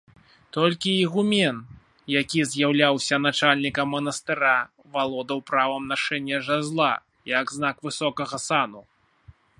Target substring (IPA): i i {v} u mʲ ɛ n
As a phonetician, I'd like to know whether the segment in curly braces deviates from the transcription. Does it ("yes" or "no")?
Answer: yes